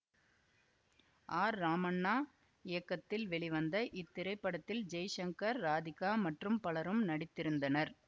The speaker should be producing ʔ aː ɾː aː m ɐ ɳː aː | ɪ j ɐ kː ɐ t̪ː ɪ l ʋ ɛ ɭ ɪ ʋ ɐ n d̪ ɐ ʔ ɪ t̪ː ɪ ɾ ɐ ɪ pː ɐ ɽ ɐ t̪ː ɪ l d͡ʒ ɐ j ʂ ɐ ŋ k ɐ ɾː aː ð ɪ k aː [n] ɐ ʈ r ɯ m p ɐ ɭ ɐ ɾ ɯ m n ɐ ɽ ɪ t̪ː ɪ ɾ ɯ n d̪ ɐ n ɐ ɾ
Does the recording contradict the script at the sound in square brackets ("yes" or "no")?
yes